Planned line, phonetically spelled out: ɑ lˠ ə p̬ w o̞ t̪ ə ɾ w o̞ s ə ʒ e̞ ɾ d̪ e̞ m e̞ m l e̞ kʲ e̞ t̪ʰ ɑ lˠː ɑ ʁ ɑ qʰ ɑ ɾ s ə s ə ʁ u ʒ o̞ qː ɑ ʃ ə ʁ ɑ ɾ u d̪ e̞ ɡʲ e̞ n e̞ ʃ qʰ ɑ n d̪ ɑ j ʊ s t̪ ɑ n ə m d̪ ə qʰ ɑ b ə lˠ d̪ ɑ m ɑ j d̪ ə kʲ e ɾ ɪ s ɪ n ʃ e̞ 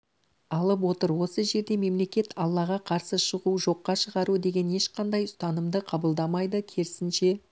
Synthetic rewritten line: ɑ lˠ ə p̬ w o̞ t̪ ə ɾ w o̞ s ə ʒ e̞ ɾ d̪ e̞ m e̞ m l e̞ kʲ e̞ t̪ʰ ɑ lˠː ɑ ʁ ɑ qʰ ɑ ɾ s ə ʃ ə ʁ u ʒ o̞ qː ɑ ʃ ə ʁ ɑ ɾ u d̪ e̞ ɡʲ e̞ n e̞ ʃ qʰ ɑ n d̪ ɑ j ʊ s t̪ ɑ n ə m d̪ ə qʰ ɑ b ə lˠ d̪ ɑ m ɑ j d̪ ə kʲʰ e ɾ ɪ s ɪ n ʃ e̞